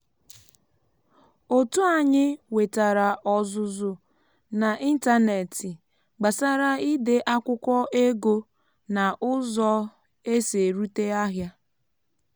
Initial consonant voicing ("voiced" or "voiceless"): voiceless